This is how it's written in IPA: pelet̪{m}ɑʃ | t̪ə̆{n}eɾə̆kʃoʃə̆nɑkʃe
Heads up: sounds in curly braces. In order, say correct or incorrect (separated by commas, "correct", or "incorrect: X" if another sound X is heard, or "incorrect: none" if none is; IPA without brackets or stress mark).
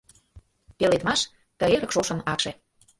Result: correct, incorrect: none